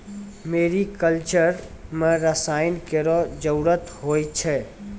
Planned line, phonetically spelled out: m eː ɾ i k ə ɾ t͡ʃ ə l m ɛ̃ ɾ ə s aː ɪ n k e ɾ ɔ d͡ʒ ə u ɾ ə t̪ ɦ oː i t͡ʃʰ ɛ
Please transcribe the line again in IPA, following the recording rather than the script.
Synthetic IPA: m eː ɾ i k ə l t͡ʃ ə ɾ m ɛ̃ ɾ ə s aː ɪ n k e ɾ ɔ d͡ʒ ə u ɾ ə t̪ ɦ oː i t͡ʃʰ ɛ